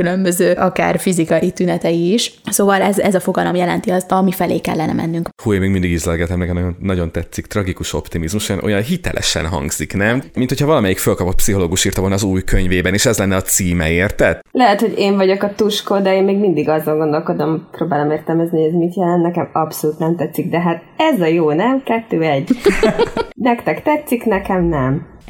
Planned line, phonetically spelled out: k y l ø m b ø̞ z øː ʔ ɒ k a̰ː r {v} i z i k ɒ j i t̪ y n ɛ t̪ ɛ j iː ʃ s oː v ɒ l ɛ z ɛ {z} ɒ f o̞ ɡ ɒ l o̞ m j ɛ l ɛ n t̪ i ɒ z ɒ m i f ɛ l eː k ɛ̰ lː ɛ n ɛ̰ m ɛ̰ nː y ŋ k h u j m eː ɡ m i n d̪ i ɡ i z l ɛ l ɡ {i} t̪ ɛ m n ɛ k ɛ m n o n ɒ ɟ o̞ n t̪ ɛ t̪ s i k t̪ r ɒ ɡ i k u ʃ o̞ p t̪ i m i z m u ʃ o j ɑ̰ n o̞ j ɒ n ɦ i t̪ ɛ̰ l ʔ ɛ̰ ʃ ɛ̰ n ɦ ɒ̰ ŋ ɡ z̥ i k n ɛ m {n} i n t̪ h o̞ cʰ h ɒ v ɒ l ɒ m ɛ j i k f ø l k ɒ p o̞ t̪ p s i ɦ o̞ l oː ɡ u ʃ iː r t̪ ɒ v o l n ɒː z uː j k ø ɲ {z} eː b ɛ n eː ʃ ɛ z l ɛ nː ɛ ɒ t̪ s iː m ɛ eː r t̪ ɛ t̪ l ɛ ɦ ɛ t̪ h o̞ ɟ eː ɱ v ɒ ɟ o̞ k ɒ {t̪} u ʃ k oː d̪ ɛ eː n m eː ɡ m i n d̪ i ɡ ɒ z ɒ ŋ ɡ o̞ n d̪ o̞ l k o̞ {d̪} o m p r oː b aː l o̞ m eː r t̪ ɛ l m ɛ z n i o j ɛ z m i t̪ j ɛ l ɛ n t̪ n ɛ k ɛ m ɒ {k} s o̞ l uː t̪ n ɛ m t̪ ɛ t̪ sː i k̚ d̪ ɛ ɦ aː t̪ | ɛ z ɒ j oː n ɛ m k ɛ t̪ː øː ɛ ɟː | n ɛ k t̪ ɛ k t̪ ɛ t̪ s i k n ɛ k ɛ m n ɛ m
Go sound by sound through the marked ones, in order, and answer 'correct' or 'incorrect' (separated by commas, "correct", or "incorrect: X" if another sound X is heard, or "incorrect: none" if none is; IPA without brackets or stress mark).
incorrect: f, correct, incorrect: ɛ, incorrect: m, incorrect: v, correct, correct, incorrect: p